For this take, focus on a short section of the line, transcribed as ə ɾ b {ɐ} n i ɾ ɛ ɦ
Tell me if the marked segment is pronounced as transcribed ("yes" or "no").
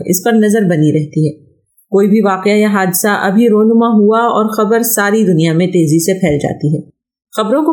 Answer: yes